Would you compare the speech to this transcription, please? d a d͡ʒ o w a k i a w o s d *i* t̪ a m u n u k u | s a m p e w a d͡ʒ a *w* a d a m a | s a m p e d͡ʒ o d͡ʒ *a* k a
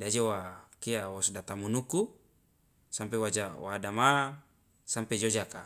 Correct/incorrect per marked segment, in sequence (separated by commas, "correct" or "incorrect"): incorrect, correct, correct